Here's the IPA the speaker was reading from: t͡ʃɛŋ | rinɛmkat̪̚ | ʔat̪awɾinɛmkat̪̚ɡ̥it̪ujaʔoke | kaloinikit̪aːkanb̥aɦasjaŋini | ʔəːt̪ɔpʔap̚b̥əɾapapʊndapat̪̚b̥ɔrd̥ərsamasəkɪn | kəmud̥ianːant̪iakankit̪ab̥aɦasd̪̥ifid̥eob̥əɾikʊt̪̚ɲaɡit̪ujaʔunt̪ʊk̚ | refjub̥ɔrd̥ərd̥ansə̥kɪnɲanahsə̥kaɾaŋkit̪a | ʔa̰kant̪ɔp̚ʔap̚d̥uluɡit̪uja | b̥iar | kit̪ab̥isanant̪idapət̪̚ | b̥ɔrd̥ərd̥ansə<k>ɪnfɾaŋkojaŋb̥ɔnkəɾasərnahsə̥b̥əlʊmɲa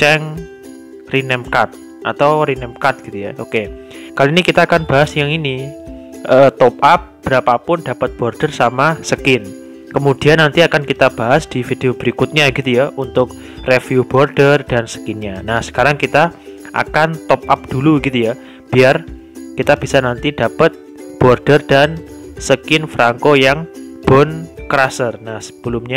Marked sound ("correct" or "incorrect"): correct